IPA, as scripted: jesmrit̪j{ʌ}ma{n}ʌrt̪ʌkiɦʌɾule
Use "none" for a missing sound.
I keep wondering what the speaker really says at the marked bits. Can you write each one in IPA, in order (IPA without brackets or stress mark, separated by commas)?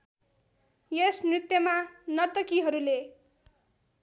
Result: ʌ, n